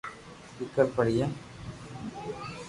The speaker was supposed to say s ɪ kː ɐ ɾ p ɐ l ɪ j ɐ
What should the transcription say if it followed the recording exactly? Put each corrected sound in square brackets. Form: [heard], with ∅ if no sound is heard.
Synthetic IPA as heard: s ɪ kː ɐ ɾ p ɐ [ɽ] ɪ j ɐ